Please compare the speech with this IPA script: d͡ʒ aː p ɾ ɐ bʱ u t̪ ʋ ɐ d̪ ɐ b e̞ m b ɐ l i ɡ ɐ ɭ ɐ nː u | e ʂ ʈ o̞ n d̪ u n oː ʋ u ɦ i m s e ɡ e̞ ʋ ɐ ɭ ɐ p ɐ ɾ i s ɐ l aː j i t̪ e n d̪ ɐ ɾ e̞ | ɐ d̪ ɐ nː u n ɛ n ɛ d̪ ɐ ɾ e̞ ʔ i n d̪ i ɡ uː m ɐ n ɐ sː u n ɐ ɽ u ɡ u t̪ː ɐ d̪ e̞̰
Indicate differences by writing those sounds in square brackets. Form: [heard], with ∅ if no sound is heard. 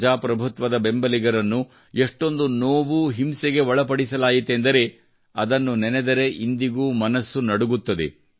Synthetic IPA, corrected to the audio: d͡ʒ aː p ɾ ɐ bʱ u t̪ ʋ ɐ d̪ ɐ b e̞ m b ɐ l i ɡ ɐ [ɾ] ɐ nː u | e ʂ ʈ o̞ n d̪ u n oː ʋ u ɦ i m s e ɡ e̞ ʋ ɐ ɭ ɐ p ɐ [ɽ] i s ɐ l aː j i t̪ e n d̪ ɐ ɾ e̞ | ɐ d̪ ɐ nː u n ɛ n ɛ d̪ ɐ ɾ e̞ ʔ i n d̪ i ɡ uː m ɐ n ɐ sː u n ɐ ɽ u ɡ u t̪ː ɐ d̪ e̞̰